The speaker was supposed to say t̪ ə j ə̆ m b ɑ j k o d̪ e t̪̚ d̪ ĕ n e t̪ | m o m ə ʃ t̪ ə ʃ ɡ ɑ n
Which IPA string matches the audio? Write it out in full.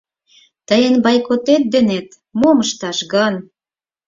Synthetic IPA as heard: t̪ ə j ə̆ n b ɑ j k o t̪ e t̪̚ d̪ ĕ n e t̪ | m o m ə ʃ t̪ ɑ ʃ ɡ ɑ n